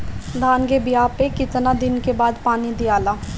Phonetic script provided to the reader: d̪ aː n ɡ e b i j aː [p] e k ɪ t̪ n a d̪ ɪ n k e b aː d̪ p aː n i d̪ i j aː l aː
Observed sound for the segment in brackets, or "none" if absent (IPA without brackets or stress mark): p